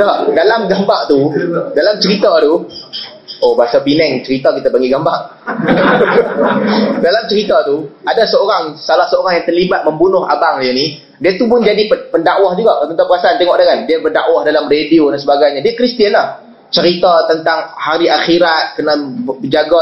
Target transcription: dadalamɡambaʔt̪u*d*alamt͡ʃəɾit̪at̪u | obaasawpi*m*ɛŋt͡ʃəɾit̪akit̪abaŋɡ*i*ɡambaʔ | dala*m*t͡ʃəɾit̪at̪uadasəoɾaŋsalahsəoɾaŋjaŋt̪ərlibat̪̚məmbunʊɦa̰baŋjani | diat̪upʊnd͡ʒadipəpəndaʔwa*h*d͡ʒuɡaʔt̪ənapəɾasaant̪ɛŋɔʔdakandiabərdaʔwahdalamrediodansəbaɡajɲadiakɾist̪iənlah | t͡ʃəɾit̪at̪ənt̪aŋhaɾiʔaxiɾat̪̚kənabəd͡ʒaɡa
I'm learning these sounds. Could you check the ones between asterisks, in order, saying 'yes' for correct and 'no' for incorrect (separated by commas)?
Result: yes, no, yes, yes, yes